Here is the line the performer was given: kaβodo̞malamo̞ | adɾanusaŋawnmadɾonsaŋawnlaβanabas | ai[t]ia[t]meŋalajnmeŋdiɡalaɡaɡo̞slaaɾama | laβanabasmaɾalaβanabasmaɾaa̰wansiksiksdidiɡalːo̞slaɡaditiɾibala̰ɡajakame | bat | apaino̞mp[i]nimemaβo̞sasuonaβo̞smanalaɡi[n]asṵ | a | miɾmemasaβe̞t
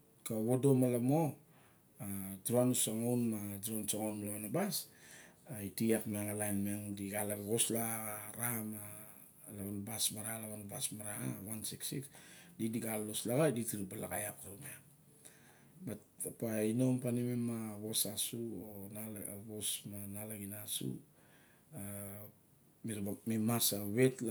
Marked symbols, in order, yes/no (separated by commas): yes, no, no, yes